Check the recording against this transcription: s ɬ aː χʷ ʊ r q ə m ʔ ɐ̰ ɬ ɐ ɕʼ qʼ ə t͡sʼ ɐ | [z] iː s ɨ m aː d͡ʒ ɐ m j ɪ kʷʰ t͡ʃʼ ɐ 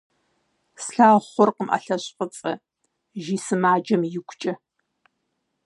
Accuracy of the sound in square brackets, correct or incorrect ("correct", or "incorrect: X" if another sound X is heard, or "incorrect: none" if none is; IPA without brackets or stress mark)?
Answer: incorrect: ʒ